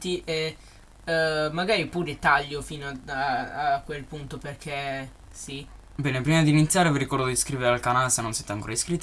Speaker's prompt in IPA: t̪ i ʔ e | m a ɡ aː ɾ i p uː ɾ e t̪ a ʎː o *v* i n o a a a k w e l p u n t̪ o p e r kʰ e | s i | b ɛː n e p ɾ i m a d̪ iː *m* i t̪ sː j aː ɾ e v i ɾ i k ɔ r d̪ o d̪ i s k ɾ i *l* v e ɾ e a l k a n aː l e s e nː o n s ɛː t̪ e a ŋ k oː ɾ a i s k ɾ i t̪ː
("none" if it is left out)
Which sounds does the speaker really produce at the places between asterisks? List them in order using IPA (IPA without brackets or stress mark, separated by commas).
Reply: f, n, none